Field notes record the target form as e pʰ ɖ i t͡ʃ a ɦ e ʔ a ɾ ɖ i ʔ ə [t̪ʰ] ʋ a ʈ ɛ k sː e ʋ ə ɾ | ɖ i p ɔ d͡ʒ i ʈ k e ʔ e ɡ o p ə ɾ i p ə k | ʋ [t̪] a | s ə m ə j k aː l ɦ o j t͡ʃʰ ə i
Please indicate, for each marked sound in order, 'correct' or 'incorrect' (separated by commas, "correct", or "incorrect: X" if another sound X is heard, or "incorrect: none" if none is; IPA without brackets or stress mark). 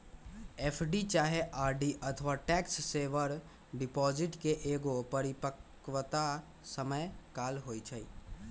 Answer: correct, correct